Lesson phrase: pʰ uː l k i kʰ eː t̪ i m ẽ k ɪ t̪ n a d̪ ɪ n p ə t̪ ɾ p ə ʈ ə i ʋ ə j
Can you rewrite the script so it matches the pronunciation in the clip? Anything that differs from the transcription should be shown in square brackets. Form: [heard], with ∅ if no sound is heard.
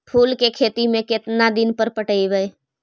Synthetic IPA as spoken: pʰ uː l k [e] kʰ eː t̪ i m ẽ k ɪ t̪ n a d̪ ɪ n p ə [∅] ɾ p ə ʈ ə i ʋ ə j